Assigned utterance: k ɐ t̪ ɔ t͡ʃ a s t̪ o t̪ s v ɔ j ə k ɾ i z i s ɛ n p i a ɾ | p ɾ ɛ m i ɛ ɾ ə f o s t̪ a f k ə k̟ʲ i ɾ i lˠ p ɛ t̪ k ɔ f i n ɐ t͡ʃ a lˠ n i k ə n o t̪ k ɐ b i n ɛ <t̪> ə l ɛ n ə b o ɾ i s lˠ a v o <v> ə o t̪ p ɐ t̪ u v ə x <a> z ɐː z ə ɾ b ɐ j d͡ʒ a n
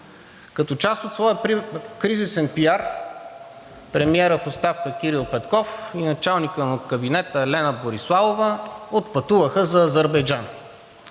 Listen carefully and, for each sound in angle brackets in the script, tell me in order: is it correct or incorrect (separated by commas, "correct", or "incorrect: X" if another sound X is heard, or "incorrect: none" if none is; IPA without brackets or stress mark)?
correct, correct, incorrect: ə